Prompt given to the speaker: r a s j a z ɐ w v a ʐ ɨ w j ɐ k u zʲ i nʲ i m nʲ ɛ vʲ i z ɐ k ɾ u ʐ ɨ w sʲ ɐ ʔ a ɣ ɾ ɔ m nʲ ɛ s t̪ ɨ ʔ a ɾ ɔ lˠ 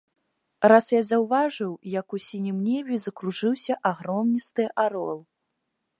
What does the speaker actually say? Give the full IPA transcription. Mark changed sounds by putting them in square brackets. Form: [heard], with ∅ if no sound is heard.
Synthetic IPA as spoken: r a s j a z ɐ w v a ʐ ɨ w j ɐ k u [sʲ] i nʲ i m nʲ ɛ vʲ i z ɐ k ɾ u ʐ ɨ w sʲ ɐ ʔ a ɣ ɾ ɔ m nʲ [i] s t̪ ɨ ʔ a ɾ ɔ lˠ